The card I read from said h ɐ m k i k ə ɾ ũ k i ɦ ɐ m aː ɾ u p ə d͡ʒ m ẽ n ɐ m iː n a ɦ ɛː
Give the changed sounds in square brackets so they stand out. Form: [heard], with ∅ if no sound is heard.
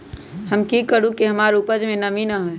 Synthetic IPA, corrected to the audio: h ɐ m k i k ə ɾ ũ k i ɦ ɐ m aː ɾ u p ə d͡ʒ m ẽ n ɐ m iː n a ɦ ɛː

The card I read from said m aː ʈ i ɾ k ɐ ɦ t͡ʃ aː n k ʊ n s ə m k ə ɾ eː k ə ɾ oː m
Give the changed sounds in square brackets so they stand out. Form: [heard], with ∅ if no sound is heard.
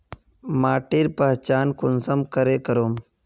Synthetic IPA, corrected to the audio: m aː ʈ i ɾ [p] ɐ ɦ t͡ʃ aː n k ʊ n s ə m k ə ɾ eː k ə ɾ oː m

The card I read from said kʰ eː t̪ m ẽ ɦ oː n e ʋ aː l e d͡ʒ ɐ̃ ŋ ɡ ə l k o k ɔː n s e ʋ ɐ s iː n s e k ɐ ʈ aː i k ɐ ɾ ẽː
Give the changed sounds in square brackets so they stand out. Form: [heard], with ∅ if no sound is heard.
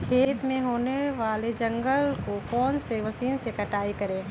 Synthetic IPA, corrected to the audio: kʰ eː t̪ m ẽ ɦ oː n e ʋ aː l e d͡ʒ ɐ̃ ŋ ɡ ə l k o k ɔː n s e ʋ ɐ s iː n s e k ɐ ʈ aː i k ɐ ɾ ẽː

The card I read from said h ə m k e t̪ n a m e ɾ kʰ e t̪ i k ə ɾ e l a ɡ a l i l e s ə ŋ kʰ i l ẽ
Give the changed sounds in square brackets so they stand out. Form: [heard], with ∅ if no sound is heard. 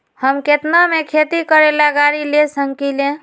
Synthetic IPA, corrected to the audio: h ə m k e t̪ n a m e [∅] kʰ e t̪ i k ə ɾ e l a ɡ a [ɾ] i l e s ə ŋ [k] i l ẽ

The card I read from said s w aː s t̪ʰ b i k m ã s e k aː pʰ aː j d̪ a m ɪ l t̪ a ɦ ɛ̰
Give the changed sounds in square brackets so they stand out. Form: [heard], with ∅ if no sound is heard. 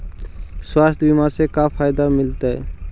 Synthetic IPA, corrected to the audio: s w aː s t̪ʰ b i [∅] m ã s e k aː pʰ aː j d̪ a m ɪ l t̪ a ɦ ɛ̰

